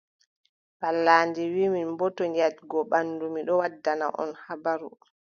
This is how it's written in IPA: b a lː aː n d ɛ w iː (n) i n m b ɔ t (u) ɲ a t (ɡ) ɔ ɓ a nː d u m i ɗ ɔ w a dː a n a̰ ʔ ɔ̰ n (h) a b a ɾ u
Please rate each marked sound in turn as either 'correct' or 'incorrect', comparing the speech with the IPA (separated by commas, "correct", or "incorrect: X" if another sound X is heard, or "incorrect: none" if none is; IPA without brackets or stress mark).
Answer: incorrect: m, incorrect: ɔ, correct, correct